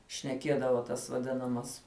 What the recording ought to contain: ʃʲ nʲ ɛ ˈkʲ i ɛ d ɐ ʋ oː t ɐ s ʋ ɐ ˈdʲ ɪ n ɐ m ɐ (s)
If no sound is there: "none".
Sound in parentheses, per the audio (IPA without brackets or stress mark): s